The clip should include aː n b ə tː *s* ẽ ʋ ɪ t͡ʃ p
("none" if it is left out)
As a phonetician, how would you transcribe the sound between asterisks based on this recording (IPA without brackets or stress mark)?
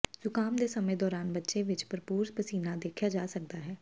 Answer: ʃ